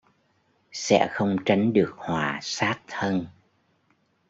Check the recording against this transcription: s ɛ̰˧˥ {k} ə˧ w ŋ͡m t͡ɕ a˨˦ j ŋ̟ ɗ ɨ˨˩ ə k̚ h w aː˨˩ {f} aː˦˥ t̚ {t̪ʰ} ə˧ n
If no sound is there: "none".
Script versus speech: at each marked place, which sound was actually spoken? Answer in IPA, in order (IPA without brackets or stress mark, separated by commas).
x, s, t̪ʰ